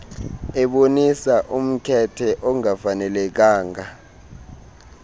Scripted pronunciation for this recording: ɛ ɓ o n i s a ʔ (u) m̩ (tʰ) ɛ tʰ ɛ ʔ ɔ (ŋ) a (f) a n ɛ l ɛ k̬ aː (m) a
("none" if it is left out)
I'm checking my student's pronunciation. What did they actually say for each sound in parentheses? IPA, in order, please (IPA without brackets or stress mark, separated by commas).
u, kʰ, ŋ, f, ŋ